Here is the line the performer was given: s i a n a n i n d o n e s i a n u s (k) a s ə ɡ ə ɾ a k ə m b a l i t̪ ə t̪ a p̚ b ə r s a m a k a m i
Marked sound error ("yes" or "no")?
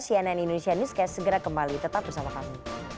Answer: no